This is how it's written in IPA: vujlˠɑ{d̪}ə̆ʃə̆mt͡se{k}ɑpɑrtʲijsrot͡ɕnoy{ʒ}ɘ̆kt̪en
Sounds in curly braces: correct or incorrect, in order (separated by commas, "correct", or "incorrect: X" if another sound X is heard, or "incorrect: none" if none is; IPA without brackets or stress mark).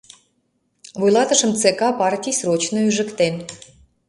incorrect: t̪, correct, correct